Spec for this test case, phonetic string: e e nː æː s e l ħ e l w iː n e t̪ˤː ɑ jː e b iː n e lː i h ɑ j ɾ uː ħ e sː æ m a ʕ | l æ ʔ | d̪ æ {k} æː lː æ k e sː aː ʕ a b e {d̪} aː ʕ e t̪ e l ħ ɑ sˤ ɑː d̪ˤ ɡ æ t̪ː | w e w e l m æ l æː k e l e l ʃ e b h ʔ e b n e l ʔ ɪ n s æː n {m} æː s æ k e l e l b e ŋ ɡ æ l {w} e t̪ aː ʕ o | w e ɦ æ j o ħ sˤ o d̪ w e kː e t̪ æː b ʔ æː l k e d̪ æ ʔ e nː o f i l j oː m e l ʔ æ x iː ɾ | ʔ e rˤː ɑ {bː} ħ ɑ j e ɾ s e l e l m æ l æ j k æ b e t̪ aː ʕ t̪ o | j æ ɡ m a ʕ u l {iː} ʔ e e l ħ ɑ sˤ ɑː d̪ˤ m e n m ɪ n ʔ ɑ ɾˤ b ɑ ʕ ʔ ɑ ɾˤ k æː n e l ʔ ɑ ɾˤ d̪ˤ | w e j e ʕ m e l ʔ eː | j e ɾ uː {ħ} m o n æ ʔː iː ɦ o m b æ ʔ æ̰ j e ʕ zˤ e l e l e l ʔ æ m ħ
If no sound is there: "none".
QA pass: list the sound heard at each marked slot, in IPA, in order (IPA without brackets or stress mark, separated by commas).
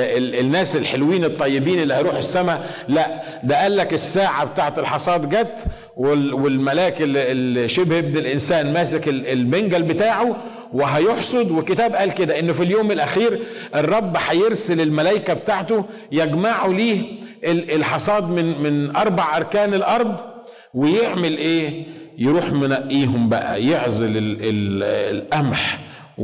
ʔ, t̪, m, b, bː, iː, ħ